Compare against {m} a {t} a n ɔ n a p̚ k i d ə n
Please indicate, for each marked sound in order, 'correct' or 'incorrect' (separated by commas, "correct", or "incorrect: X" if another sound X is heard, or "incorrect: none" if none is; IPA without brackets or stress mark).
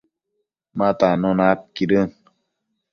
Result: correct, correct